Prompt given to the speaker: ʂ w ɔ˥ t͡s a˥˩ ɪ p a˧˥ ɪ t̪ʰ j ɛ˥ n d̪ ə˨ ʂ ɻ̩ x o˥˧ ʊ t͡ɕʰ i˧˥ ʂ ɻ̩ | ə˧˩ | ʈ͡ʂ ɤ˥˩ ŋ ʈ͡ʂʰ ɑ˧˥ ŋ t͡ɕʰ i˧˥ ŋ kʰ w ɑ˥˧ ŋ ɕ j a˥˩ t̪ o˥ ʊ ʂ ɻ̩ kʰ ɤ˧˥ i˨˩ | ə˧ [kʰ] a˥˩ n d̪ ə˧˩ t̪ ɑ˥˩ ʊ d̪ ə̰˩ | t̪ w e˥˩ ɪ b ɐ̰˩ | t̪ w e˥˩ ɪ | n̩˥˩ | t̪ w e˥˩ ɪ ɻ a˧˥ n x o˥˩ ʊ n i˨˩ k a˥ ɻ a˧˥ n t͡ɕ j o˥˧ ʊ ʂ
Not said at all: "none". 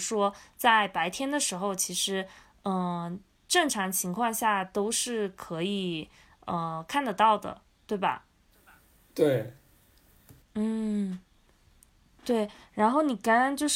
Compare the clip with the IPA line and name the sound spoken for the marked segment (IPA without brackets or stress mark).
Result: kʰ